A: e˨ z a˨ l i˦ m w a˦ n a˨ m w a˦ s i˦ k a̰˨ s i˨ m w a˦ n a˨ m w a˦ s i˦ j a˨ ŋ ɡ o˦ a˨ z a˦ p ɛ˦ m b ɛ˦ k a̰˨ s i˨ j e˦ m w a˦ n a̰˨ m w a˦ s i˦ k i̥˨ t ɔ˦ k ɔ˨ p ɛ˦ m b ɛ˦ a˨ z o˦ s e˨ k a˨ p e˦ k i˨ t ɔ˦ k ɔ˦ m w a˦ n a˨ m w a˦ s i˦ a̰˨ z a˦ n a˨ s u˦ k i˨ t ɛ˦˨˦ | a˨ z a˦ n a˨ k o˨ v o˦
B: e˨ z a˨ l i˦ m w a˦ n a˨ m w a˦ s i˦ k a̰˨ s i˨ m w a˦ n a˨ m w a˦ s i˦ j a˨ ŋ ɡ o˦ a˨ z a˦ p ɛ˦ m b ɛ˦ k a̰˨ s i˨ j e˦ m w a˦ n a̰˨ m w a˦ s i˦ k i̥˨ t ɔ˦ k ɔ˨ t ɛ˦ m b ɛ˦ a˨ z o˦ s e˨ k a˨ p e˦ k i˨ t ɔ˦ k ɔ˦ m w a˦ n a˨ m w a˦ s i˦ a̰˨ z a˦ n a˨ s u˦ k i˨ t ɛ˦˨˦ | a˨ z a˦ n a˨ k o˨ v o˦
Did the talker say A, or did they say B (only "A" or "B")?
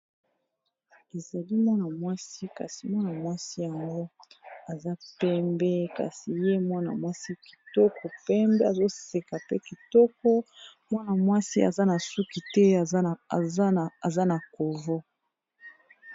A